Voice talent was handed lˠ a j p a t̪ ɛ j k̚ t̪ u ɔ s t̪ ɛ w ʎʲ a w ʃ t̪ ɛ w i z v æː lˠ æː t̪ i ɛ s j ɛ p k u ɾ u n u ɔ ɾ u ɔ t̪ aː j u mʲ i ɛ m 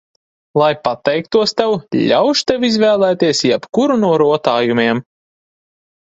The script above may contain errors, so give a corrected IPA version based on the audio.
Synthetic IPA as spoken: lˠ a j p a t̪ ɛ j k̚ t̪ u ɔ s t̪ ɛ w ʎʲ a w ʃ t̪ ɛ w i z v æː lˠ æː t̪ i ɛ s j ɛ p k u ɾ u n u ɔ ɾ u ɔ t̪ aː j u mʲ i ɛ m